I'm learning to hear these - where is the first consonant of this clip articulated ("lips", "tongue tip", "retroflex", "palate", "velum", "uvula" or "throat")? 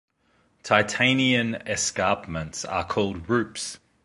tongue tip